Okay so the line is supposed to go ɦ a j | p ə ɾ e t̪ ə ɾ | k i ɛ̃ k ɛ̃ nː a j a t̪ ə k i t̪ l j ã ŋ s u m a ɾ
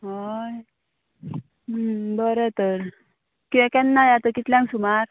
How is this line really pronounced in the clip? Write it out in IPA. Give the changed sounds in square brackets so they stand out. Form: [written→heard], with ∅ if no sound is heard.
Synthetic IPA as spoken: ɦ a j | [p→b] ə ɾ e t̪ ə ɾ | k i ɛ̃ k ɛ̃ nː a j a t̪ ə k i t̪ l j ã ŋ s u m a ɾ

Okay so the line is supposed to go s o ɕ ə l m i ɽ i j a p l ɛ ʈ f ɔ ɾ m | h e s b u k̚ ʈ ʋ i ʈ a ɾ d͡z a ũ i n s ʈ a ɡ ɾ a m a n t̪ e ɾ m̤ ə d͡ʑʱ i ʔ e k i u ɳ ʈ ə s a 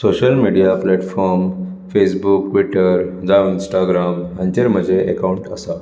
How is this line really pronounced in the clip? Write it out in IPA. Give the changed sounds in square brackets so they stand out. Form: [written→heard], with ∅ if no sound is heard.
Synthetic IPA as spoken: s o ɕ ə l m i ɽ i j a p l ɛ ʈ f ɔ ɾ m | [h→f] e s b u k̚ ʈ ʋ i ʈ [a→ə] ɾ d͡z a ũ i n s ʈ a ɡ ɾ a m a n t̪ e ɾ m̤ ə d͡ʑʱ [i→e] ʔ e k [i→a] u ɳ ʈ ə s a

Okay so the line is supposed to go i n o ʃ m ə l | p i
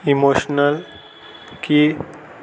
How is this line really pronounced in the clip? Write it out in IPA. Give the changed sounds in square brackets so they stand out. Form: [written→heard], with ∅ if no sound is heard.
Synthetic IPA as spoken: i [n→m] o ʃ [m→n] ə l | [p→k] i

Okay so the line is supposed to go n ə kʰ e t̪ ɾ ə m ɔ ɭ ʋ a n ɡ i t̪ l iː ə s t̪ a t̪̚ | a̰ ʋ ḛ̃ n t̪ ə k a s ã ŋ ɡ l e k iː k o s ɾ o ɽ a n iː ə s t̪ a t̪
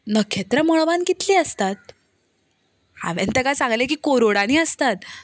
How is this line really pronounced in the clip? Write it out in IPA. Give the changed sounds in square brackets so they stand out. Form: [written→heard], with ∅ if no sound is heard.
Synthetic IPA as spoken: n ə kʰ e t̪ ɾ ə m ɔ ɭ ʋ a n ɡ i t̪ l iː ə s t̪ a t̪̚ | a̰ ʋ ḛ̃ n t̪ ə k a s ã ŋ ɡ l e k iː k o [s→∅] ɾ o ɽ a n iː ə s t̪ a t̪

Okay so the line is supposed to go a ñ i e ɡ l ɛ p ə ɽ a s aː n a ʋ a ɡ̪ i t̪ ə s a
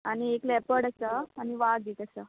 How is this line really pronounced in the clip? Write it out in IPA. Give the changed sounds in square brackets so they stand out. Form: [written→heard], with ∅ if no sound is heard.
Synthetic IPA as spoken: a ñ i e [ɡ→k] l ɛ p ə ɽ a s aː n [a→i] ʋ a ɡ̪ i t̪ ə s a

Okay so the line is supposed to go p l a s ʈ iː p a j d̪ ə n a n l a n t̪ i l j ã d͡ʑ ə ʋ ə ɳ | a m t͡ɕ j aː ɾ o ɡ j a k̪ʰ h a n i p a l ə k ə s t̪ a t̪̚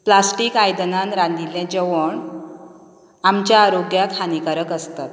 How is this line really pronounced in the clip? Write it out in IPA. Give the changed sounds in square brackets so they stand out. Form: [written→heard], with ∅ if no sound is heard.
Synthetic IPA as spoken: p l a s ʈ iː [p→k] a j d̪ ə n a n [l→ɾ] a n [t̪→d̪] i l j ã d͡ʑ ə ʋ ə ɳ | a m t͡ɕ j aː ɾ o ɡ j a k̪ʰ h a n i [p→k] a [l→ɾ] ə k ə s t̪ a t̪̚

